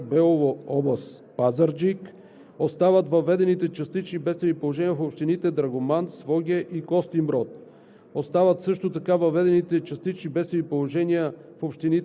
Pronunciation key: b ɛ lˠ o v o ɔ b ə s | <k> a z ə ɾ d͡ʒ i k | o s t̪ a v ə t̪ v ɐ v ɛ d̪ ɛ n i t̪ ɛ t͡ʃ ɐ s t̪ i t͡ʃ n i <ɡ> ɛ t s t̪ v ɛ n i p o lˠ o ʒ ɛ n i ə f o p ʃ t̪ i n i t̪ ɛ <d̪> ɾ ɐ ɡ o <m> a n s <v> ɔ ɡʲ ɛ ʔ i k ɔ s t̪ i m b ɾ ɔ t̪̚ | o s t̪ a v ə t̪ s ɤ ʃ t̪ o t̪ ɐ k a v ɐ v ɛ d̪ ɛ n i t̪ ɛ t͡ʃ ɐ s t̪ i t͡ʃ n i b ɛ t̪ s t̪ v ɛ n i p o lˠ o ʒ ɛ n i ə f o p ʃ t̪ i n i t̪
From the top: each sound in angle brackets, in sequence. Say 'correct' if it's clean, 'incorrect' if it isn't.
incorrect: p, incorrect: b, correct, correct, correct

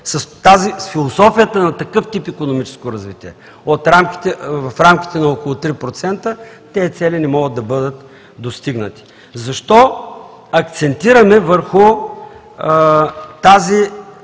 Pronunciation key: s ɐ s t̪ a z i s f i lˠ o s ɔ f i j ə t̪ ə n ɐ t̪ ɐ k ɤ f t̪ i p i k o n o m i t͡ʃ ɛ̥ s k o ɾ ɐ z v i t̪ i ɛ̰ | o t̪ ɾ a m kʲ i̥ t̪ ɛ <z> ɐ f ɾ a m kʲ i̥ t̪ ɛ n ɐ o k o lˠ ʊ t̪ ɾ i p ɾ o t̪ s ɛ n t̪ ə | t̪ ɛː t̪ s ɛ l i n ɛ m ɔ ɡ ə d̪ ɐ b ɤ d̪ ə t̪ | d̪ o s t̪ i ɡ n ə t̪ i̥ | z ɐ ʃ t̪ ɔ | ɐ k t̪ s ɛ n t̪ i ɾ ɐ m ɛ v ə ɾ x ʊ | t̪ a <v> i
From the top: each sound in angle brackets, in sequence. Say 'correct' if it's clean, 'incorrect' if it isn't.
incorrect: v, incorrect: z

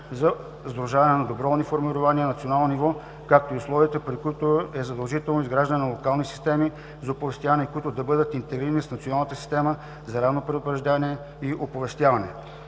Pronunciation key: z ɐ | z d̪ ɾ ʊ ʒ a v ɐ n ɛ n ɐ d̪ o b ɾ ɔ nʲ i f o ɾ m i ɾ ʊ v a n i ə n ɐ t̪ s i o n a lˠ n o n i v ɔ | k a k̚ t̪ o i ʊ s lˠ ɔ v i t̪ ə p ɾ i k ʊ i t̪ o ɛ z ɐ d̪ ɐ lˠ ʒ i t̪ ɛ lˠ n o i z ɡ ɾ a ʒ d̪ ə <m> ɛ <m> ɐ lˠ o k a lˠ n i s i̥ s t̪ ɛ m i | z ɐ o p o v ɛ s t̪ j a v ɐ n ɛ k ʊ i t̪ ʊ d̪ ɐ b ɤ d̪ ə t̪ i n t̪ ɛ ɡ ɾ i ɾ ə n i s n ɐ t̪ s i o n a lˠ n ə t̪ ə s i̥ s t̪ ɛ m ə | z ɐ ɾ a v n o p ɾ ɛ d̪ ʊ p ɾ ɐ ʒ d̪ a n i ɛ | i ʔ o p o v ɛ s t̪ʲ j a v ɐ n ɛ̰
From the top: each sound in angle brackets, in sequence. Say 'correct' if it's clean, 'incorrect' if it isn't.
incorrect: n, incorrect: n

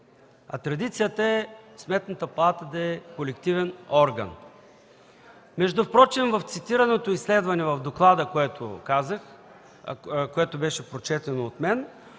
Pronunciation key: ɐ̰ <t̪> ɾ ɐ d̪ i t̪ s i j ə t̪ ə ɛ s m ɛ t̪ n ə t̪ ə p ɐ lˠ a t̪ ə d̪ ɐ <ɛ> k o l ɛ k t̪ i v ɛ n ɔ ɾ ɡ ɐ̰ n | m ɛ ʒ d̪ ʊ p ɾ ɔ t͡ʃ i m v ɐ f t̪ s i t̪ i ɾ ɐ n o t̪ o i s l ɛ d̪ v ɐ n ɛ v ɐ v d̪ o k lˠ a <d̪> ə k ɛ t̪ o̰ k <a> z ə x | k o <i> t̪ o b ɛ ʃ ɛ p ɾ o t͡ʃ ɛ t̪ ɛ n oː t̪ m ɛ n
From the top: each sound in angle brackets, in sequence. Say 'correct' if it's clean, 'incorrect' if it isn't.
correct, correct, correct, correct, incorrect: ɛ

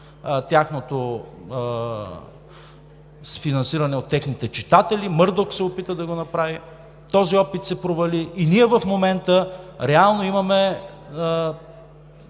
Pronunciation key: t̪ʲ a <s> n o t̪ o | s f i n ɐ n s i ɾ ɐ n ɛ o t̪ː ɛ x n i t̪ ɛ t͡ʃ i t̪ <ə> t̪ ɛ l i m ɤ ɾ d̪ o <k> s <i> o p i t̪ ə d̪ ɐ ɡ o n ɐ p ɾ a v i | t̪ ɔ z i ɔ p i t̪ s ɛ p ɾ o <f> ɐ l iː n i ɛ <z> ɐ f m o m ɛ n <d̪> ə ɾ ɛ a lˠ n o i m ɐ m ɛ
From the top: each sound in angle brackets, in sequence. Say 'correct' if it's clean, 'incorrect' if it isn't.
incorrect: x, incorrect: a, correct, incorrect: ɛ, incorrect: v, incorrect: v, incorrect: t̪

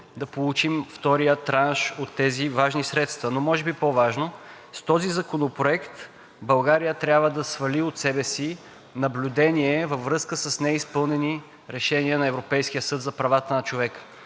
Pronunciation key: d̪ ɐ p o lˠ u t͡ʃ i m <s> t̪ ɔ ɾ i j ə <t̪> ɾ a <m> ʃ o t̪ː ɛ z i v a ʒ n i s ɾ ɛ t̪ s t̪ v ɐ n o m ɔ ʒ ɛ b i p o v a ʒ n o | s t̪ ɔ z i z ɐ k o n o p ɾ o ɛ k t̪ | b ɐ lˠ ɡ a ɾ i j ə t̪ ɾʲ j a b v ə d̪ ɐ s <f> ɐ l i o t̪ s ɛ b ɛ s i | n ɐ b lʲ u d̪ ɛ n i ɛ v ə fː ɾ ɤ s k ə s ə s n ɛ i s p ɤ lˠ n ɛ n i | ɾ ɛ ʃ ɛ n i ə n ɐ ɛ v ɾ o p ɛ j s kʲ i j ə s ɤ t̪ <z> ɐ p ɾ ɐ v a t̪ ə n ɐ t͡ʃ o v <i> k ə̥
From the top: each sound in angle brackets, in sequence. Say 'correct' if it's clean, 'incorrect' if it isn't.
incorrect: f, correct, incorrect: n, incorrect: v, correct, incorrect: ɛ

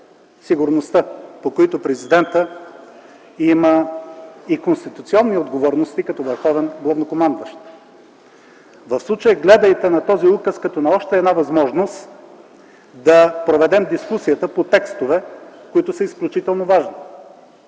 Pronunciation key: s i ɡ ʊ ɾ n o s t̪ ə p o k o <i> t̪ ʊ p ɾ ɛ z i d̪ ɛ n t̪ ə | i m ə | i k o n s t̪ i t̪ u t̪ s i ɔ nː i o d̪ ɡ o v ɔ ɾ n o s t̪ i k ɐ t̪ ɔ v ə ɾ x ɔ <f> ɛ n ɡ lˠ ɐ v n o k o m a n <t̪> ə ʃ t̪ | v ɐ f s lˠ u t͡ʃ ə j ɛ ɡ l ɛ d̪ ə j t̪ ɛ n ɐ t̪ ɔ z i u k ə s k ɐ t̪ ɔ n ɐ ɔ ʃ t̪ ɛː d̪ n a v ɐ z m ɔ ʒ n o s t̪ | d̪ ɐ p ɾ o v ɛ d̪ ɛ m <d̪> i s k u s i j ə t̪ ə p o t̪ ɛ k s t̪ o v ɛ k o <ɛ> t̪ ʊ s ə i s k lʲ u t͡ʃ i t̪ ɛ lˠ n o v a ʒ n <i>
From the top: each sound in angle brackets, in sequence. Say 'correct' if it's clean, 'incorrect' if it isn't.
correct, incorrect: v, incorrect: d̪, correct, incorrect: i, correct

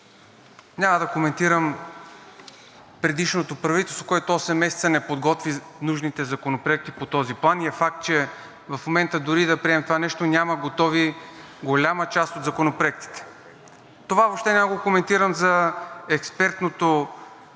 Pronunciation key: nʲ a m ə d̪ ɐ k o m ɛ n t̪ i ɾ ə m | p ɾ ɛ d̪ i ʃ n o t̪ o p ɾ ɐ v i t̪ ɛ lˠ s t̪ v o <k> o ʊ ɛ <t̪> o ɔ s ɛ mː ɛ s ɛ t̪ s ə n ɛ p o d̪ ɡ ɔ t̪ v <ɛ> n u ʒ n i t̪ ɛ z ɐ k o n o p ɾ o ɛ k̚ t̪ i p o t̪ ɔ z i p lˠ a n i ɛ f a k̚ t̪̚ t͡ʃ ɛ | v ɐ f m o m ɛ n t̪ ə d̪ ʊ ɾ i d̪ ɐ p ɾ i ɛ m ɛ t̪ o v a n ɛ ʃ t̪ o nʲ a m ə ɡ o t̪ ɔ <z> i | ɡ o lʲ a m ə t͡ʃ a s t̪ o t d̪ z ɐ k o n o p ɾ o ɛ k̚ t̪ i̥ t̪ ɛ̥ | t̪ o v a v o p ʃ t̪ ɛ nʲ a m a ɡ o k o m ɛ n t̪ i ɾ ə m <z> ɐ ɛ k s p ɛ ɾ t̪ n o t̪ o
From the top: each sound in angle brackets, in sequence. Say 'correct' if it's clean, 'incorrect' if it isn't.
correct, correct, incorrect: i, incorrect: v, correct

